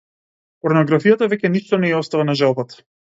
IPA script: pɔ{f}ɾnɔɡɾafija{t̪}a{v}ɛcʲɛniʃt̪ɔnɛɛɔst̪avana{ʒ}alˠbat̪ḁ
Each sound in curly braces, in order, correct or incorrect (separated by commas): incorrect, correct, correct, correct